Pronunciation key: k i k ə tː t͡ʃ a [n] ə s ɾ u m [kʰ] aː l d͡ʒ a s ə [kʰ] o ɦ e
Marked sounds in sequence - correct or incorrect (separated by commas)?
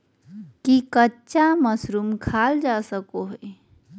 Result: incorrect, correct, incorrect